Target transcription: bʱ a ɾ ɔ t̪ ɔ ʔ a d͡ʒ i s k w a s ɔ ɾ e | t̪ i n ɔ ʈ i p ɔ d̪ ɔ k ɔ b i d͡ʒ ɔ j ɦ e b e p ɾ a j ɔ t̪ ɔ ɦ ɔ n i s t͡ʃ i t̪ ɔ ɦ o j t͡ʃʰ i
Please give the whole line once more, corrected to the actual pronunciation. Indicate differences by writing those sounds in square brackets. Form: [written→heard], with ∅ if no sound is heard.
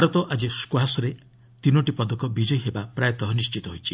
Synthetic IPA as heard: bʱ a ɾ ɔ t̪ ɔ ʔ a d͡ʒ i s k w a s ɔ ɾ e | t̪ i n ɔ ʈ i p ɔ d̪ ɔ k ɔ b i d͡ʒ ɔ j ɦ e b [e→a] p ɾ a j ɔ t̪ ɔ ɦ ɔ n i s t͡ʃ i t̪ ɔ ɦ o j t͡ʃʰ i

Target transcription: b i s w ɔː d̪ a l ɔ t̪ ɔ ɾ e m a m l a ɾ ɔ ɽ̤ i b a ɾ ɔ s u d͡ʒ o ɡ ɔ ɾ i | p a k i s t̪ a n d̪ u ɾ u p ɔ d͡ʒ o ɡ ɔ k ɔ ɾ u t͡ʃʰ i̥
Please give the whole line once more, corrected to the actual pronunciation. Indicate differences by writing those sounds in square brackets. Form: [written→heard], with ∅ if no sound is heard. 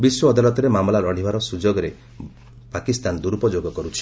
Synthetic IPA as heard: b i s w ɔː d̪ a l ɔ t̪ ɔ ɾ e m a m l a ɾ ɔ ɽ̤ i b a ɾ ɔ s u d͡ʒ o ɡ ɔ ɾ [i→e] | p a k i s t̪ a n d̪ u ɾ u p ɔ d͡ʒ o ɡ ɔ k ɔ ɾ u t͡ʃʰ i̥

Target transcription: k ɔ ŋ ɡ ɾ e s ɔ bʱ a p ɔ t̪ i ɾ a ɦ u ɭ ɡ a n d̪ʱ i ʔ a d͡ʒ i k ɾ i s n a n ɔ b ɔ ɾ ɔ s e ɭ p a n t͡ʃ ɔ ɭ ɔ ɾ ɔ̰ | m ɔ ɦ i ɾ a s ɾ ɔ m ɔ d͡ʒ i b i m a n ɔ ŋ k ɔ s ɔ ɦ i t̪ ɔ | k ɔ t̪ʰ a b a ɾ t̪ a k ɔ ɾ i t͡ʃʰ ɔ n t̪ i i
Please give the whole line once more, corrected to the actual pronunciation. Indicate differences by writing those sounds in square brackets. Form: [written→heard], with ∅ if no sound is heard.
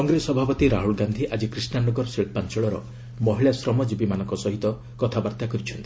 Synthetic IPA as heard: k ɔ ŋ ɡ ɾ e s ɔ bʱ a p ɔ t̪ i ɾ a ɦ u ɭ ɡ a n d̪ʱ i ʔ a d͡ʒ i k ɾ i s n a n ɔ [b→ɡ] ɔ ɾ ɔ s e ɭ p a n t͡ʃ ɔ ɭ ɔ ɾ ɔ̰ | m ɔ ɦ i [ɾ→ɭ] a s ɾ ɔ m ɔ d͡ʒ i b i m a n ɔ ŋ k ɔ s ɔ ɦ i t̪ ɔ | k ɔ t̪ʰ a b a ɾ t̪ a k ɔ ɾ i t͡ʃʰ ɔ n t̪ i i

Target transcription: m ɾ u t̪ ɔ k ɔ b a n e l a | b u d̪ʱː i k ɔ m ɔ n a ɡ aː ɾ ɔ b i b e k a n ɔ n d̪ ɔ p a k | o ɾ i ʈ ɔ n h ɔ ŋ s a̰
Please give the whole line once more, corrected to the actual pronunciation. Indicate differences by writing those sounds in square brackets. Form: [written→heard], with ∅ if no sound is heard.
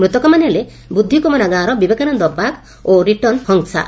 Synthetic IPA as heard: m ɾ u t̪ ɔ k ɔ [b→m] a n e l [a→e] | b u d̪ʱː i k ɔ m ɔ n a ɡ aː ɾ ɔ b i b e k a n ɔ n d̪ ɔ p a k | o ɾ i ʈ ɔ n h ɔ ŋ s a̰

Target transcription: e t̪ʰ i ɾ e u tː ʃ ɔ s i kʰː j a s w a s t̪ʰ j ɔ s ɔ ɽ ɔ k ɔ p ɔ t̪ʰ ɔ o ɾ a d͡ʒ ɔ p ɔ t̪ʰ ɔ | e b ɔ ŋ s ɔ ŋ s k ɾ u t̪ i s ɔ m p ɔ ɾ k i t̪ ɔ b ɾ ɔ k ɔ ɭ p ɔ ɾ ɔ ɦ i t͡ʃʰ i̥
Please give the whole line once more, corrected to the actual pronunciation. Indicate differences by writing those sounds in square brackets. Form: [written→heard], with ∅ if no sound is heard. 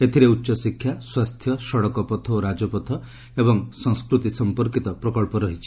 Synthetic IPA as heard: e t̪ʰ i ɾ e u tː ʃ ɔ s i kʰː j a s w a s t̪ʰ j ɔ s ɔ ɽ ɔ k ɔ p ɔ t̪ʰ ɔ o ɾ a d͡ʒ ɔ p ɔ t̪ʰ ɔ | e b ɔ ŋ s ɔ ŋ s k ɾ u t̪ i s ɔ m p ɔ ɾ k i t̪ ɔ [b→p] ɾ ɔ k ɔ ɭ p ɔ ɾ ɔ ɦ i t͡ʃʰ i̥

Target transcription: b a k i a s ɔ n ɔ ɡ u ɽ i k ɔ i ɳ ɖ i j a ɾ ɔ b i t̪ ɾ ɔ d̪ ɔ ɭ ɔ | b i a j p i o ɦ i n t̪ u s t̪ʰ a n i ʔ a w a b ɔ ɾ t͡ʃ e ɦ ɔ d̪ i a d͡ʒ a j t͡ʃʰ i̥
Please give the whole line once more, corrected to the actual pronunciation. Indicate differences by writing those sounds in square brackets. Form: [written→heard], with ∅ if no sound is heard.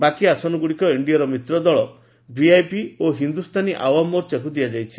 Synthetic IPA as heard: b a k i a s ɔ n ɔ ɡ u ɽ i k ɔ i ɳ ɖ i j a ɾ ɔ [b→m] i t̪ ɾ ɔ d̪ ɔ ɭ ɔ | b i a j p i o ɦ i n [t̪→d̪] u s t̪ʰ a n i ʔ a w a [b→m] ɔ ɾ t͡ʃ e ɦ [ɔ→u] d̪ i a d͡ʒ a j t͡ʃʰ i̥

